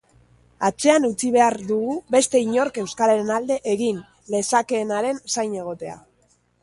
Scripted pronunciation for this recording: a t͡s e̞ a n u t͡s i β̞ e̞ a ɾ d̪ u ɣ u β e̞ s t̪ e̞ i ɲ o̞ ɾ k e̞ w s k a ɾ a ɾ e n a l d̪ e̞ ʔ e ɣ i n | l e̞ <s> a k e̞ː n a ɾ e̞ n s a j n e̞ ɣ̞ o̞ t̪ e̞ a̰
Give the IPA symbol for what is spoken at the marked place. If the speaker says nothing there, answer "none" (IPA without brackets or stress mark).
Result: s